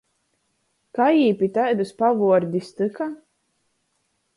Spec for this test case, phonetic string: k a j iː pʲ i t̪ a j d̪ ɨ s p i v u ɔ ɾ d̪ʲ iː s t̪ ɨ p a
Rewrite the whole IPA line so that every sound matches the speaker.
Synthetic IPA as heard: k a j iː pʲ i t̪ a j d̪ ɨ s p a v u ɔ ɾ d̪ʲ i s t̪ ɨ k a